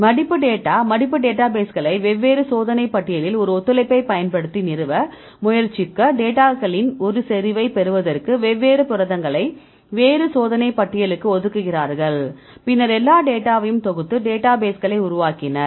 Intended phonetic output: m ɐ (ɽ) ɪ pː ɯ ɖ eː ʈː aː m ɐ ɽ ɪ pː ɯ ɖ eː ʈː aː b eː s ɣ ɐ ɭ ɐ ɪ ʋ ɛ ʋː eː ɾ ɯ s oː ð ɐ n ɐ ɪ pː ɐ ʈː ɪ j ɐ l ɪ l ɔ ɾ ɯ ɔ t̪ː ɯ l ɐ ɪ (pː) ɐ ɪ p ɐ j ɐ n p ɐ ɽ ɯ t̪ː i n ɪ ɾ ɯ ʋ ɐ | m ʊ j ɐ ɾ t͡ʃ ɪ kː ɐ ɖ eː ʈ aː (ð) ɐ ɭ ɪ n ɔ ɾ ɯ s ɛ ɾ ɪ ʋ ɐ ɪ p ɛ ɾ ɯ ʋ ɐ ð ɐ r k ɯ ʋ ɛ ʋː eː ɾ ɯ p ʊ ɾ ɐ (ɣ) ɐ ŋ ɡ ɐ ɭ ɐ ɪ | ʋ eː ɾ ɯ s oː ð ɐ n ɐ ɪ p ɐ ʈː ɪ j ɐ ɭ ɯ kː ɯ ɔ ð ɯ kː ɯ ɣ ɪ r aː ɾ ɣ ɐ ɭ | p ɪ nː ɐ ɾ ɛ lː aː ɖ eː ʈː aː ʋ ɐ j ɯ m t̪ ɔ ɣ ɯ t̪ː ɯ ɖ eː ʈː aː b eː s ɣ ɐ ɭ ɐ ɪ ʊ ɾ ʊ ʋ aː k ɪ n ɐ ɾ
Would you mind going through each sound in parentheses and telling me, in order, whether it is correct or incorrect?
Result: correct, correct, incorrect: ɣ, incorrect: ð

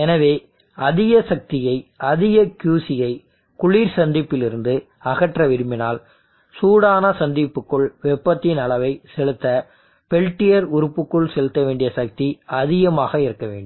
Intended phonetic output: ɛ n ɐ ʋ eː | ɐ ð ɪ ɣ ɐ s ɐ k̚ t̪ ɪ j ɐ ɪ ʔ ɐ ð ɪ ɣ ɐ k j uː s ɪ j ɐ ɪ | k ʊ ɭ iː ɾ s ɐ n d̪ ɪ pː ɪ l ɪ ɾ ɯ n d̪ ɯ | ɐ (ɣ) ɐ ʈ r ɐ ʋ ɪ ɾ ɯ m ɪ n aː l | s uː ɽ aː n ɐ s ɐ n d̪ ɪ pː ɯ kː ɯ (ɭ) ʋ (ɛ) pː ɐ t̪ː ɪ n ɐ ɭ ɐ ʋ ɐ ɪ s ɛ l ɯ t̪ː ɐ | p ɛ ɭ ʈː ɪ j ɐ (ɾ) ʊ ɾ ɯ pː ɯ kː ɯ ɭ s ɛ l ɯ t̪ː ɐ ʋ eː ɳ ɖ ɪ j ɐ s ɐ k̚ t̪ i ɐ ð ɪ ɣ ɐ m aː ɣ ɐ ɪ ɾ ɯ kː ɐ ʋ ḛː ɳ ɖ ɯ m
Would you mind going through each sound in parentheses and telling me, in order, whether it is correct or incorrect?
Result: correct, correct, correct, correct

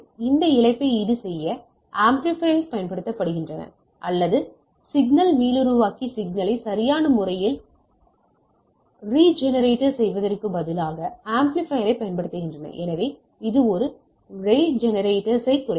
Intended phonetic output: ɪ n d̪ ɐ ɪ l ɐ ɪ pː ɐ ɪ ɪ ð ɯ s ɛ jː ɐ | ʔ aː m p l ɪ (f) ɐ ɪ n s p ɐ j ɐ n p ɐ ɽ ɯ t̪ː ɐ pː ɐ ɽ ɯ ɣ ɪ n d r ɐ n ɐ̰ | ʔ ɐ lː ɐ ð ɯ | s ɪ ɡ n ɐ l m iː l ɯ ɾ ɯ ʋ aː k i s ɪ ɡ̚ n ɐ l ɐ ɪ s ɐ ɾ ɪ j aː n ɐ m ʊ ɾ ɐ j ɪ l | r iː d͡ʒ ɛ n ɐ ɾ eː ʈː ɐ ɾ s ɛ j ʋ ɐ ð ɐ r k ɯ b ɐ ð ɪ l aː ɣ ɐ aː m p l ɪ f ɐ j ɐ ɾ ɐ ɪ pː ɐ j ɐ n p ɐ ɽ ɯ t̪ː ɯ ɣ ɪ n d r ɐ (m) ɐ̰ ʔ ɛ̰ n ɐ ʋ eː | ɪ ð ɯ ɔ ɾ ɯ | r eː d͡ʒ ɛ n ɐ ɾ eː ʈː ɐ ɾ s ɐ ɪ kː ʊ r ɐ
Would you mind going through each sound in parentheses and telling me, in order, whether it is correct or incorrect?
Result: correct, incorrect: n

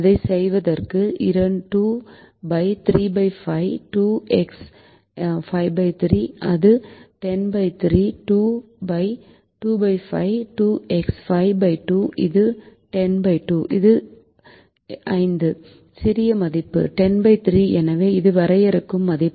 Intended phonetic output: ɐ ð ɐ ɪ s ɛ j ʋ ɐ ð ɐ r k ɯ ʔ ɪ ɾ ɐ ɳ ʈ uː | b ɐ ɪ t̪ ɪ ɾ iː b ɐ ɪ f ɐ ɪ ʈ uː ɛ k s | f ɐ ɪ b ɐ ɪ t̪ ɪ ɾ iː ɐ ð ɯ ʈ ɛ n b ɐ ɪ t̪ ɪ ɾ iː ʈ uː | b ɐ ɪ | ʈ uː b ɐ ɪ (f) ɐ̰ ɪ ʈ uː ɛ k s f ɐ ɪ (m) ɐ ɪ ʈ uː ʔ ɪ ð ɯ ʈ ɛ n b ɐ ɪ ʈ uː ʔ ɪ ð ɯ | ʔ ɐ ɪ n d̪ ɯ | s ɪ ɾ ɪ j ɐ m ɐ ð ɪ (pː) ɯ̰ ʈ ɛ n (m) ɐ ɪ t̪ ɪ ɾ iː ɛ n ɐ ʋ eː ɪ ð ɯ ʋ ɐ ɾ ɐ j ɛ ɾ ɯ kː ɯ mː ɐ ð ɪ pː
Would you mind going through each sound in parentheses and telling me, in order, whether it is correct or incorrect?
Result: correct, incorrect: b, correct, incorrect: b

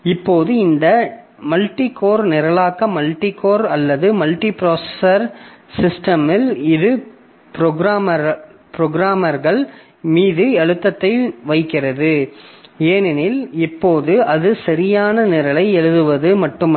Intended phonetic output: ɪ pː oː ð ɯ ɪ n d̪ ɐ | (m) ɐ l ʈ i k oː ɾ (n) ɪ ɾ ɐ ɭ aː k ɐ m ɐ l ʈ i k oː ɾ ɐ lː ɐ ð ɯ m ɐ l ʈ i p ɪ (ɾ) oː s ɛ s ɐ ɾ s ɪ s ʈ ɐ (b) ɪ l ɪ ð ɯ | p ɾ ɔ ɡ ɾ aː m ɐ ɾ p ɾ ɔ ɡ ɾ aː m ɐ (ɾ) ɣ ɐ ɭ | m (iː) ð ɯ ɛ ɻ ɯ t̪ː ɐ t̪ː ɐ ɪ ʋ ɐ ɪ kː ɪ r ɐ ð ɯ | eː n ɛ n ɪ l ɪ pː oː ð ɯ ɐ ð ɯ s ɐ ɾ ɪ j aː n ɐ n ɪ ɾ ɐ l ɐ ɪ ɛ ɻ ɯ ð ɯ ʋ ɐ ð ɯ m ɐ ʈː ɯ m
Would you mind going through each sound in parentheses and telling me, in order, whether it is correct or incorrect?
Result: correct, correct, correct, incorrect: m, correct, correct

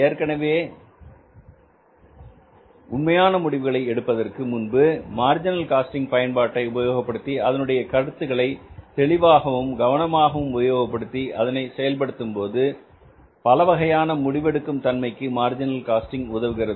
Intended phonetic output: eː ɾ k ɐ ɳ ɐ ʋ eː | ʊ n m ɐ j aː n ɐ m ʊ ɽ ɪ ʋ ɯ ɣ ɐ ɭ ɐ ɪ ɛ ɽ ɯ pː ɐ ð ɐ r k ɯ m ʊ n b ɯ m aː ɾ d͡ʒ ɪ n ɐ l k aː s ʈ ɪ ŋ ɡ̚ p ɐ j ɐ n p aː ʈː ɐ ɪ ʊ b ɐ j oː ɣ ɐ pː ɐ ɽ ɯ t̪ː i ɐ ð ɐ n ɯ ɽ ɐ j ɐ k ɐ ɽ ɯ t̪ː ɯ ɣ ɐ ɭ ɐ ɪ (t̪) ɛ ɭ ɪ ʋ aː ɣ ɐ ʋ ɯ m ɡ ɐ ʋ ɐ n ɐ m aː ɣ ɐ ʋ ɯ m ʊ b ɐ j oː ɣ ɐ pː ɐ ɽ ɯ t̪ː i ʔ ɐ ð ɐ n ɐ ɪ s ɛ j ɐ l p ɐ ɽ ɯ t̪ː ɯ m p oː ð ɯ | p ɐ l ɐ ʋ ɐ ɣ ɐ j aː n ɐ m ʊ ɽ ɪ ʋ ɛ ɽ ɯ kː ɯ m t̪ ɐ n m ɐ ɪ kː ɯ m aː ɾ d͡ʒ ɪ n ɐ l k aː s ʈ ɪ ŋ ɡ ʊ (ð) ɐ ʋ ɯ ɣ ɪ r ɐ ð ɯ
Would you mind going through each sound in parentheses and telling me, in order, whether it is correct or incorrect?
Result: correct, correct

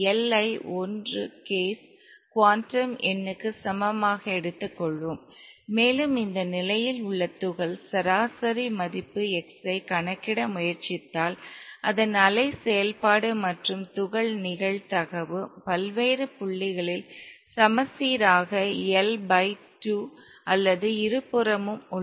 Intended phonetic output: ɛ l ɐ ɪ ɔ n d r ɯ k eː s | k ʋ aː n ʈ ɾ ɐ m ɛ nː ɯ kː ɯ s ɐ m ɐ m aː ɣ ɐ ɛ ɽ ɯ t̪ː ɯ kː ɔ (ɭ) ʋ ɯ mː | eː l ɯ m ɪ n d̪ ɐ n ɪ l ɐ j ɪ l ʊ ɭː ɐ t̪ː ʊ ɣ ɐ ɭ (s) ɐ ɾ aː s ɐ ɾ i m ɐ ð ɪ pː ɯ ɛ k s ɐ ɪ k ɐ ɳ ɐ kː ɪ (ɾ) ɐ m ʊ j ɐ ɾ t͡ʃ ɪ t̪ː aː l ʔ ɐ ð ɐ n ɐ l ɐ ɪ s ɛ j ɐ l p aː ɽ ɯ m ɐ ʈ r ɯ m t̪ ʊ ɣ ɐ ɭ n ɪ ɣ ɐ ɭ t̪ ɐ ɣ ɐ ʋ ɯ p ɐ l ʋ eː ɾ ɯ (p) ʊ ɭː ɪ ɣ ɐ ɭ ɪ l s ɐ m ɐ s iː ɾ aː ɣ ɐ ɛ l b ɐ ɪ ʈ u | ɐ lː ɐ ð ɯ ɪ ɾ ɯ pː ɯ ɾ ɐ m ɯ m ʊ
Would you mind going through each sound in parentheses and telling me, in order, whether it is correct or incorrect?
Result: correct, correct, incorrect: ɽ, correct

